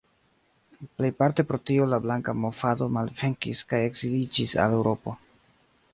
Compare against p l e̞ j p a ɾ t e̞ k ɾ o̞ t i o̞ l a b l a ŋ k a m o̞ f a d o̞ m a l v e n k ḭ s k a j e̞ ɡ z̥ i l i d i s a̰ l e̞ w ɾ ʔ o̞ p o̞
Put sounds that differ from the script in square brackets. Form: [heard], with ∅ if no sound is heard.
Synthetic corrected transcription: p l e̞ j p a ɾ t e̞ [p] ɾ o̞ t i o̞ l a b l a ŋ k a m o̞ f a d o̞ m a l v e [ŋ] k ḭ s k a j e̞ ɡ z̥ i l i [d͡ʒ] i s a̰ l e̞ w ɾ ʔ o̞ p o̞